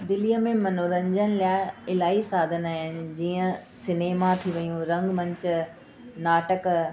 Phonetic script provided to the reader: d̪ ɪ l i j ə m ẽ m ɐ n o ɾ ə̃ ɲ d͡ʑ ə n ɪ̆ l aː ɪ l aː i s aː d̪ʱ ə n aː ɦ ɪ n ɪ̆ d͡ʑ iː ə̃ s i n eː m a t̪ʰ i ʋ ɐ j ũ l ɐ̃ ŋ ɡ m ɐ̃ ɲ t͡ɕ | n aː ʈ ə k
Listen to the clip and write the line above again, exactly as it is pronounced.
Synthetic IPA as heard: d̪ ɪ l i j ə m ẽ m ɐ n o ɾ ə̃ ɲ d͡ʑ ə n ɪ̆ l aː ɪ l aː i s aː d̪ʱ ə n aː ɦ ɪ n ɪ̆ d͡ʑ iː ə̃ s ɪ n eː m a t̪ʰ i ʋ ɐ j ũ ɾ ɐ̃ ŋ ɡ m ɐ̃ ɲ t͡ɕ | n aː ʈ ə k